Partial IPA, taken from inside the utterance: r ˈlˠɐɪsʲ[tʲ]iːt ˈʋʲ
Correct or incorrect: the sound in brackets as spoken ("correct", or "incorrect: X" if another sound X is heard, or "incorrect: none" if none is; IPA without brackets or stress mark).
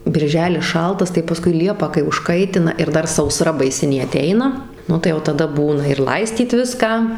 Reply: correct